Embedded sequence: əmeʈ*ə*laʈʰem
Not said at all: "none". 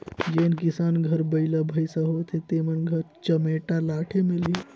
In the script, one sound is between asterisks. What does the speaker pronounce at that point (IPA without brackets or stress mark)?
a